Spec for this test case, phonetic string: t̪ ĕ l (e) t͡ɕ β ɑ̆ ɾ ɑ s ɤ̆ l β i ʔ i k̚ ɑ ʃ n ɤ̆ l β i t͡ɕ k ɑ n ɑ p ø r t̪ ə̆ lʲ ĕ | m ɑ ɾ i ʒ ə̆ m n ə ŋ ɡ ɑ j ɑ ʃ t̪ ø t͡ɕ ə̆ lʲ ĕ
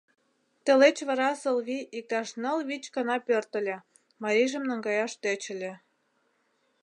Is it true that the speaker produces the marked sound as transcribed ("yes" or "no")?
yes